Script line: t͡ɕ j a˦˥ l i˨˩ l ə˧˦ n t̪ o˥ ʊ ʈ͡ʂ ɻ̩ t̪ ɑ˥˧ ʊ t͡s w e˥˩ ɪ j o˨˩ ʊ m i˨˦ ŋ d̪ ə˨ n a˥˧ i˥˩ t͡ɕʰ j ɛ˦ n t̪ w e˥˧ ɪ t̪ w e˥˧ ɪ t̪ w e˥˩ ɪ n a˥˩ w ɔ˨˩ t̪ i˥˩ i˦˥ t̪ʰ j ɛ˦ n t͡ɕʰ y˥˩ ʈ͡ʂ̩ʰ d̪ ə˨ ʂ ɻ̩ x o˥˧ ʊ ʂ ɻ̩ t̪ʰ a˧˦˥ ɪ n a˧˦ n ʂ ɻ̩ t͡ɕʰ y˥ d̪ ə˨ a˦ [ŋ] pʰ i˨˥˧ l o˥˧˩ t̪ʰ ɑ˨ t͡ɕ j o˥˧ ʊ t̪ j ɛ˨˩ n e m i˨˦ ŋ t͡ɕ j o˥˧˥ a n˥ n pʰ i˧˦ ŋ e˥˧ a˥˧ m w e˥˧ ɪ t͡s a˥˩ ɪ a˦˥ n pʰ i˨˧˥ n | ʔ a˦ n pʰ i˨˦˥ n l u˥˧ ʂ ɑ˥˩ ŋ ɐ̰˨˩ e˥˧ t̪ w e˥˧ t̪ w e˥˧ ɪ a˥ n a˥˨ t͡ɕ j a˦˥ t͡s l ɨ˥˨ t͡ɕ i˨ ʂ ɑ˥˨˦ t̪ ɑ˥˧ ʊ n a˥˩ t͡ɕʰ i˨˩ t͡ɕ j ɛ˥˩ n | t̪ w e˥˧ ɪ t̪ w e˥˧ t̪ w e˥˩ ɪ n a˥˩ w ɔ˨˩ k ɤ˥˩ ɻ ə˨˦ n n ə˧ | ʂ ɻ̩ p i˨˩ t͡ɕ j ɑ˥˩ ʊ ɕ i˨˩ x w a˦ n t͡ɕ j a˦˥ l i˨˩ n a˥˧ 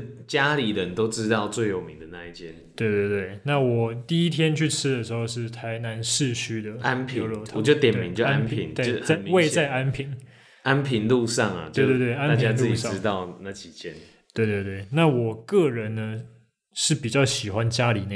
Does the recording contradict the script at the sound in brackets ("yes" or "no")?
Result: yes